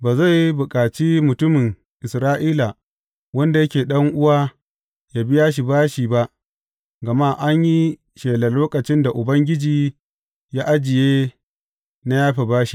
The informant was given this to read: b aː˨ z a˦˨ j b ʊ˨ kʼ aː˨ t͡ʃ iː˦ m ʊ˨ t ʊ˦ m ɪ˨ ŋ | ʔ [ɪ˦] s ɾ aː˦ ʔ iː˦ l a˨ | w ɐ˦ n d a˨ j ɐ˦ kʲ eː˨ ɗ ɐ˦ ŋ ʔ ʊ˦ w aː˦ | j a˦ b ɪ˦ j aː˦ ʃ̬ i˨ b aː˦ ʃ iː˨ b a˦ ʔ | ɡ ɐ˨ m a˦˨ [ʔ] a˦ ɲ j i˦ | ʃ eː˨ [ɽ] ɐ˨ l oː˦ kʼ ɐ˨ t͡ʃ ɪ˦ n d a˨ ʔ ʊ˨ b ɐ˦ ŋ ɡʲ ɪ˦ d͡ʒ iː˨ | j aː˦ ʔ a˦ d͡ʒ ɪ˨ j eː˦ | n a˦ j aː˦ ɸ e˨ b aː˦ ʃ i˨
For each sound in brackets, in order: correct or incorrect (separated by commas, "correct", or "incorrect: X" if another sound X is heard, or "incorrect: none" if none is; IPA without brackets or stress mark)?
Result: incorrect: ɪ˨, correct, incorrect: l